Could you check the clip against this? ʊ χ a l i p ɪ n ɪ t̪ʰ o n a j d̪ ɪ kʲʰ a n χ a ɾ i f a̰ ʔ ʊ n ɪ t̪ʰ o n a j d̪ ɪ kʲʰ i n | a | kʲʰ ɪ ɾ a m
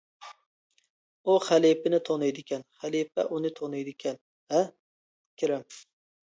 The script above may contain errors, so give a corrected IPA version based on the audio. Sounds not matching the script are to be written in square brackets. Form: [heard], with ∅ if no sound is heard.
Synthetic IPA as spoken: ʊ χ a l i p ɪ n ɪ t̪ʰ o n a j d̪ ɪ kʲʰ a n χ a [l] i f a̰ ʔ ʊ n ɪ t̪ʰ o n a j d̪ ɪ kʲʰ [a] n | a | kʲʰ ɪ ɾ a m